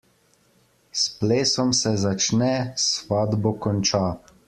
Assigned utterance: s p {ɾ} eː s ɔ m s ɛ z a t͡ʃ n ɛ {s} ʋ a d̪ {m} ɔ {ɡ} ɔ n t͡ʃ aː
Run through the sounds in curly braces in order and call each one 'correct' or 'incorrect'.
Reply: incorrect: l, correct, incorrect: b, incorrect: k

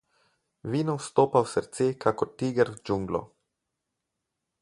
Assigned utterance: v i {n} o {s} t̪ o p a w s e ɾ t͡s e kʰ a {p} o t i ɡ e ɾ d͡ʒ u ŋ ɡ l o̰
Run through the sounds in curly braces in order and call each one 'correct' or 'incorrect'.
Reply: correct, correct, incorrect: k

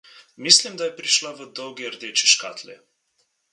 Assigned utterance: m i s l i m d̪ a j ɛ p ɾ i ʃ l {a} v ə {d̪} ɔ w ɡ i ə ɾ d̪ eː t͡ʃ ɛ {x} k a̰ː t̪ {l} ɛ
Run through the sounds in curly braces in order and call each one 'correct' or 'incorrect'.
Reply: correct, correct, incorrect: ʃ, correct

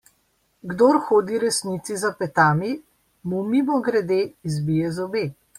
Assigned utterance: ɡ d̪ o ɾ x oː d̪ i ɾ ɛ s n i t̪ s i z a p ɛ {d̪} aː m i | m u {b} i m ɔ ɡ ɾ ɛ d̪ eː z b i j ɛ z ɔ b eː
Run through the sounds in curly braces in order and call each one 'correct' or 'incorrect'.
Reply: incorrect: t̪, incorrect: m

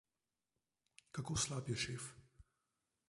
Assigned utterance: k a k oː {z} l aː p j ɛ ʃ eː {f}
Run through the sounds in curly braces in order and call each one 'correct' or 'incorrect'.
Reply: incorrect: s, correct

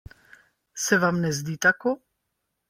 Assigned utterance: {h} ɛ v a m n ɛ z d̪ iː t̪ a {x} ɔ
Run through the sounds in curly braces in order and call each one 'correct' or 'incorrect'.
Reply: incorrect: s, incorrect: k

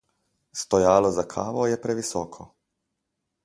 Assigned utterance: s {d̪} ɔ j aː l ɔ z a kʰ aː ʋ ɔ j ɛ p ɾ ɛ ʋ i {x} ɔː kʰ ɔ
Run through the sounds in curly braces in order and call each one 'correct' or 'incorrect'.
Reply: incorrect: t̪, incorrect: s

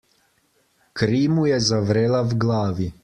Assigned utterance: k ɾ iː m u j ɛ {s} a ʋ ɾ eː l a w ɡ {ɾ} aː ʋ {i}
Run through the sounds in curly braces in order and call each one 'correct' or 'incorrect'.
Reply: incorrect: z, incorrect: l, correct

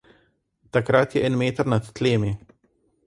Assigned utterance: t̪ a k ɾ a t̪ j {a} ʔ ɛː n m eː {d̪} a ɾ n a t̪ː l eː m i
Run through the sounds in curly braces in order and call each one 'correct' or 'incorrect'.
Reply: incorrect: ɛ, incorrect: t̪

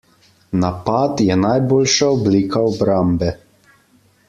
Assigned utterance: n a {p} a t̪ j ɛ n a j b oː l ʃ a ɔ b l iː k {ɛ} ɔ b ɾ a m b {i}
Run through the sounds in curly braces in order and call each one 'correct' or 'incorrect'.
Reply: correct, incorrect: a, incorrect: ɛ

